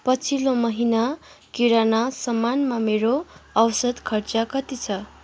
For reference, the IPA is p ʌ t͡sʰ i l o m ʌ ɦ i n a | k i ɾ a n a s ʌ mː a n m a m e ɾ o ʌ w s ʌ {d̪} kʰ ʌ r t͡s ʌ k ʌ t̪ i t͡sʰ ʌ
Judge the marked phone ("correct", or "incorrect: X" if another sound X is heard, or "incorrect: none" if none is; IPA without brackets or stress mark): correct